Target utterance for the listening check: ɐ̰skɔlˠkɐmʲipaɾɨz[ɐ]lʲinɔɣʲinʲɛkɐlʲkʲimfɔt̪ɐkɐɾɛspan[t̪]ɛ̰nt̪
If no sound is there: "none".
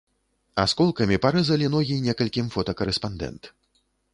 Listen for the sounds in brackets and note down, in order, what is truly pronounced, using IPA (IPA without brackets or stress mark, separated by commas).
ɐ, d̪